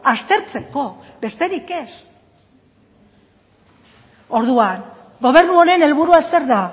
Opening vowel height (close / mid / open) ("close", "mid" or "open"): open